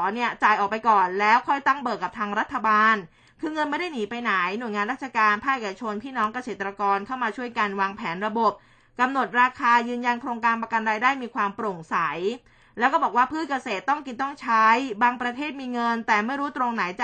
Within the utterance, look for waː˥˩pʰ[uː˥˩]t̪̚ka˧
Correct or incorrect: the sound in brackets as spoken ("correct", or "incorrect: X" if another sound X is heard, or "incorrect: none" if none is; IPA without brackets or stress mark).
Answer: incorrect: ɯː˥˩